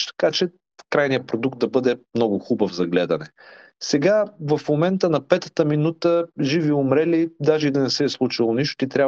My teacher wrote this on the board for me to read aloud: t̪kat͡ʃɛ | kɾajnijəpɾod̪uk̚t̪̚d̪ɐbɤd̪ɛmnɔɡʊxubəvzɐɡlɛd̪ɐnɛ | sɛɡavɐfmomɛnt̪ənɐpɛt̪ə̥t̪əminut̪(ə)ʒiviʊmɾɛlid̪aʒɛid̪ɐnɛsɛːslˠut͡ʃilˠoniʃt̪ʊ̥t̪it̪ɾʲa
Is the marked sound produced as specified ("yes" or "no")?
yes